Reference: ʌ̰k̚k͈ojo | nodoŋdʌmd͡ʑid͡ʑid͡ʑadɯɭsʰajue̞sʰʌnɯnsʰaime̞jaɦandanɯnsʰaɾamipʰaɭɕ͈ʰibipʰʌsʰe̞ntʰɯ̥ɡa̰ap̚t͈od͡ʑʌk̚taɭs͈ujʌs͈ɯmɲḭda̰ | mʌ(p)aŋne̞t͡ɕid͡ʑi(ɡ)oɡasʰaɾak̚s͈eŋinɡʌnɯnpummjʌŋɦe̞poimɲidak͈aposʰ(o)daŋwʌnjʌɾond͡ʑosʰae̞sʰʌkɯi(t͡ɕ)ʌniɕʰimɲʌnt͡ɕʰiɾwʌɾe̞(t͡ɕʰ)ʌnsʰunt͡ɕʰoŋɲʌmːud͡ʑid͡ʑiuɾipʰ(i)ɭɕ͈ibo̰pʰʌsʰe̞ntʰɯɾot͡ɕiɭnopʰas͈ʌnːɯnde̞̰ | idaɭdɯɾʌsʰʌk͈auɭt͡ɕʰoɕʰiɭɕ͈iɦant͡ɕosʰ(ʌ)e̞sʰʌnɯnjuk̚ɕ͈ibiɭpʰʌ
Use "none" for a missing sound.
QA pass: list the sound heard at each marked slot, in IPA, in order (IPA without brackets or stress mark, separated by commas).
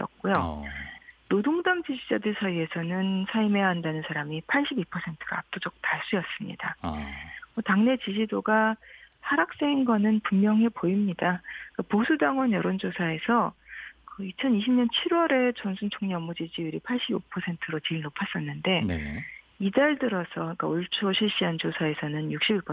t, d, u, t͡ɕʰ, t͡ɕ, a, a